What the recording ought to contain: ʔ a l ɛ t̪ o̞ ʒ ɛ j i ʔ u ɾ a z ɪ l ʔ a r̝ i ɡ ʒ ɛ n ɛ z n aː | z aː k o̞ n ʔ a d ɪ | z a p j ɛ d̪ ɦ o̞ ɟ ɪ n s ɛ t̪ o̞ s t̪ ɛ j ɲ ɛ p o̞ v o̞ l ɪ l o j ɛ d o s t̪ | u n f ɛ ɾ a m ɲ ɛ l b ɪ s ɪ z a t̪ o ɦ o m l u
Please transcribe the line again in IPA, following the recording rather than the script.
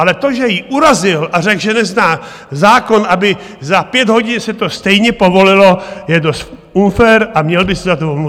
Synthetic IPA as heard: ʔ a l ɛ t̪ o̞ ʒ ɛ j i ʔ u ɾ a z ɪ l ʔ a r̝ ɛ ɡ ʒ ɛ n ɛ z n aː | z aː k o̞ n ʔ a b ɪ | z a p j ɛ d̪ ɦ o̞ ɟ ɪ n s ɛ t̪ o̞ s t̪ ɛ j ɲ ɛ p o̞ v o̞ l ɪ l o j ɛ d o s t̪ | u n f ɛ ɾ a m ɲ ɛ l b ɪ s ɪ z a t̪ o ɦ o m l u